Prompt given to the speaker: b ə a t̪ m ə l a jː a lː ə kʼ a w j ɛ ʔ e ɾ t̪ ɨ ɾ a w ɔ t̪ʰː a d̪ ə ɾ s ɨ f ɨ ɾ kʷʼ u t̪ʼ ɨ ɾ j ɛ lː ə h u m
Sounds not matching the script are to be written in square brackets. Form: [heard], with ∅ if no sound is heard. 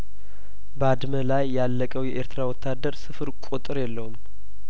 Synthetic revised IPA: b ə a [d̪] m ə l a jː a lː ə kʼ [ə] w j ɛ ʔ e ɾ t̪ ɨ ɾ a w ɔ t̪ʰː a d̪ ə ɾ s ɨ f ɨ ɾ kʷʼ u t̪ʼ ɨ ɾ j ɛ lː ə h u m